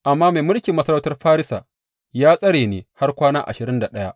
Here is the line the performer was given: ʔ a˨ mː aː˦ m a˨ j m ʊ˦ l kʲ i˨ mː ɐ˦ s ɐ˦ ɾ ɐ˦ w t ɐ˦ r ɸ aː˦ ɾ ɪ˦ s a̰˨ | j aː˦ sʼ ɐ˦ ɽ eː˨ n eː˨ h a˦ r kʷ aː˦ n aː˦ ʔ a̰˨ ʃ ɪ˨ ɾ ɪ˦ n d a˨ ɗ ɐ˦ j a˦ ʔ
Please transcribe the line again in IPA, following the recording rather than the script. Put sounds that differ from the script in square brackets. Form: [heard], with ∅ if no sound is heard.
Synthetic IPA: ʔ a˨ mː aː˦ m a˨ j m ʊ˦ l kʲ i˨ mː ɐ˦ s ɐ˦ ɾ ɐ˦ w t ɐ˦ r ɸ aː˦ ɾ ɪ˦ s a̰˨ | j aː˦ sʼ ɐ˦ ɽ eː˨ n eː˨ h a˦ r kʷ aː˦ n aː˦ ʔ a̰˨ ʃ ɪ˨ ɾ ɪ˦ n d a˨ ɗ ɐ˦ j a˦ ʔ

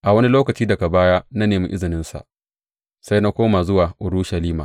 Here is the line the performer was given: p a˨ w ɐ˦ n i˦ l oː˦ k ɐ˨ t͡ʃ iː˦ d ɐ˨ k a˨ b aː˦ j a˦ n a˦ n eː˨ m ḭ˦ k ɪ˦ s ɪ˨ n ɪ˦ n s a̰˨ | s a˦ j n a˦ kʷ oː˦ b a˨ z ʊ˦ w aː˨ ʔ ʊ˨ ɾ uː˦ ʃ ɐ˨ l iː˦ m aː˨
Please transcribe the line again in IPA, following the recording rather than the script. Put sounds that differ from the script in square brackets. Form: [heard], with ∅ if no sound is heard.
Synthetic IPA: [ʔ] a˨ w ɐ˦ n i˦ l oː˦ k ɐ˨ t͡ʃ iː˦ d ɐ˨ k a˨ b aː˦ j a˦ n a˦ n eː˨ m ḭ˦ [ʔ] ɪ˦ [z] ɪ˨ n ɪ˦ n s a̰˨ | s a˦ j n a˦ kʷ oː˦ [m] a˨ z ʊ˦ w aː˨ ʔ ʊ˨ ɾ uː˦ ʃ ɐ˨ l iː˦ m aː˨

